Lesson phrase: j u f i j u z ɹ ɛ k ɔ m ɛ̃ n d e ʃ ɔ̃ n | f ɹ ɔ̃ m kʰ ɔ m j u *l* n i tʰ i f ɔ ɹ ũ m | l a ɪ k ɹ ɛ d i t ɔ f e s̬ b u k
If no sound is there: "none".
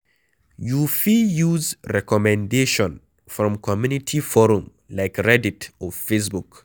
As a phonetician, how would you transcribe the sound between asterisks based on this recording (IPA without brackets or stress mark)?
none